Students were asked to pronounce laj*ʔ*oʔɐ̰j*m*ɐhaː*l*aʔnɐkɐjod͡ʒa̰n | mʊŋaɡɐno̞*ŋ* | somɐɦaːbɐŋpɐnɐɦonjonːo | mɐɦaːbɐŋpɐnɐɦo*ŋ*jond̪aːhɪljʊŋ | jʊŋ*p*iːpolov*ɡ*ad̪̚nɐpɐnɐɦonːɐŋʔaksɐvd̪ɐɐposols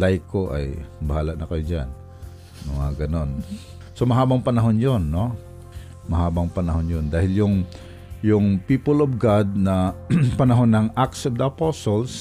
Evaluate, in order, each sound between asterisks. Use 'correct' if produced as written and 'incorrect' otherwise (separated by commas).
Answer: incorrect, incorrect, correct, incorrect, incorrect, correct, correct